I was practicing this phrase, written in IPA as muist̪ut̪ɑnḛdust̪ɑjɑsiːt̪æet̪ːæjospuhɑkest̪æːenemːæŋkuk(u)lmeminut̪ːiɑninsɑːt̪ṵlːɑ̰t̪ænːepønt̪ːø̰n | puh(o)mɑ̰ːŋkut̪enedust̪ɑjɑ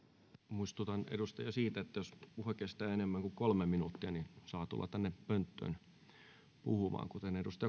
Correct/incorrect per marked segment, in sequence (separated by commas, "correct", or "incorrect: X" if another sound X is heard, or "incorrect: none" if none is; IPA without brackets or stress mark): incorrect: o, incorrect: u